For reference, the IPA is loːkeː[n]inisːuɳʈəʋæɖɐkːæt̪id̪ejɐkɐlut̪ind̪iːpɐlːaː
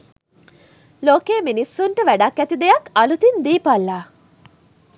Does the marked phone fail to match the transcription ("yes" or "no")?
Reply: yes